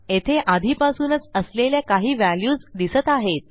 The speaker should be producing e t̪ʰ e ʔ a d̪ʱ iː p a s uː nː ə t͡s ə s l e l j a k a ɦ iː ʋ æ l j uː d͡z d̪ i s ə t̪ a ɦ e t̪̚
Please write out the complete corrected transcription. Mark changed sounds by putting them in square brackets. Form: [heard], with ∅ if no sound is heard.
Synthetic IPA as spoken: e t̪ʰ e ʔ a d̪ʱ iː p a s uː [n] ə t͡s ə s l e l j a k a ɦ iː ʋ æ l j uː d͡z d̪ i s ə t̪ a ɦ e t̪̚